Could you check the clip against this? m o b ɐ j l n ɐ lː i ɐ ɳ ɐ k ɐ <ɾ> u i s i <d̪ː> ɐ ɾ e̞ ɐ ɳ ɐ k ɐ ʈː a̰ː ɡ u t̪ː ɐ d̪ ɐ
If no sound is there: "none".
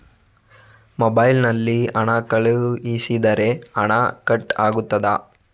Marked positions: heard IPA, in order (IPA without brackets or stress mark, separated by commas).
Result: ɭ, d̪